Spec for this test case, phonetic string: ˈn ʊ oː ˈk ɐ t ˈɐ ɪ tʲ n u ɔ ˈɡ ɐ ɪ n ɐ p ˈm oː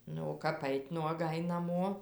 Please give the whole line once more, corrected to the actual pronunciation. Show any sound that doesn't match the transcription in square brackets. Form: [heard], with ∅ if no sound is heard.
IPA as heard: ˈn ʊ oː ˈk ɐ [p] ˈɐ ɪ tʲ n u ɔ ˈɡ ɐ ɪ n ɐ [∅] ˈm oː